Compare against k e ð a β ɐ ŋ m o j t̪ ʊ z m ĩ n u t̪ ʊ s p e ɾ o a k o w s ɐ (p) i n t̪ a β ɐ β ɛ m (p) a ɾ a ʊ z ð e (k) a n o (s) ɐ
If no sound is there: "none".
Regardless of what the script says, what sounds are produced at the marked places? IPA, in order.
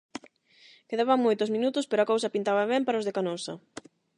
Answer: p, p, k, s

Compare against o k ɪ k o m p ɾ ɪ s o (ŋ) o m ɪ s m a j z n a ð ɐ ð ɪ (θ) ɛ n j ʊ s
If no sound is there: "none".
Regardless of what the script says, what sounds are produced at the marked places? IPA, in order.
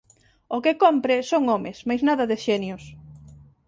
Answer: ŋ, ʃ

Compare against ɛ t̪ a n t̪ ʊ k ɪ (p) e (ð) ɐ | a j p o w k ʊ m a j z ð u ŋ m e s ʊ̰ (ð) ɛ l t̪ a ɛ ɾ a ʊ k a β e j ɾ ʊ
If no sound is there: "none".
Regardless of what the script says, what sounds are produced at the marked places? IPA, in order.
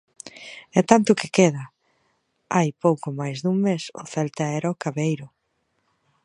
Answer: k, ð, θ

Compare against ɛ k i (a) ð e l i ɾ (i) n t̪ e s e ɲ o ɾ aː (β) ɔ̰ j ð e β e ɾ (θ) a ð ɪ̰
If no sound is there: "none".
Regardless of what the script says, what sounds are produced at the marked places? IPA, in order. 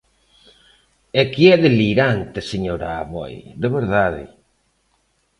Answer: ɛ, a, β, ð

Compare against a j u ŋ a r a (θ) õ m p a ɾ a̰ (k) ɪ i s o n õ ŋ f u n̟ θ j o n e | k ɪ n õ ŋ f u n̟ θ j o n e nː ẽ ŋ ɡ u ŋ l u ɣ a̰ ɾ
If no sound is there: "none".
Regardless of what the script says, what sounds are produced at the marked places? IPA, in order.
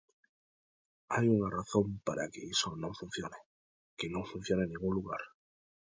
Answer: θ, k

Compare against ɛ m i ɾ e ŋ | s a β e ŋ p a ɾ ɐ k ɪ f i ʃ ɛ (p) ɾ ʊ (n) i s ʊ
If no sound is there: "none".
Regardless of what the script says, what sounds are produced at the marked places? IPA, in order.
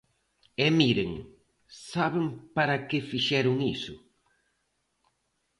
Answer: none, ŋ

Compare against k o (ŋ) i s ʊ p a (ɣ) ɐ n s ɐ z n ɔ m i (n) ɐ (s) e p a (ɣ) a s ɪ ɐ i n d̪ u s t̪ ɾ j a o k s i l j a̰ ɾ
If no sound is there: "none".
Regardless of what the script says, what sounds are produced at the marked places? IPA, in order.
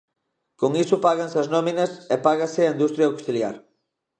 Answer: ŋ, ɣ, n, s, ɣ

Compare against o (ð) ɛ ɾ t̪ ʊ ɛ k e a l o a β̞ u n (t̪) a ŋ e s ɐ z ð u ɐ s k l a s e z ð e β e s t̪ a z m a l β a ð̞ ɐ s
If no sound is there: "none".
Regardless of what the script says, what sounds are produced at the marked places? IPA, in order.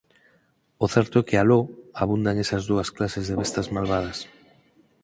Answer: θ, d̪

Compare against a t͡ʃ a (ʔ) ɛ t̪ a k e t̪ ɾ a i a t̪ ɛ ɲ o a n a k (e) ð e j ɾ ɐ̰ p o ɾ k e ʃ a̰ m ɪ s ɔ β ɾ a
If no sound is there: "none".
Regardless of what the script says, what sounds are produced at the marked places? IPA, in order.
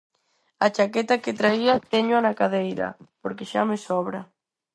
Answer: k, a

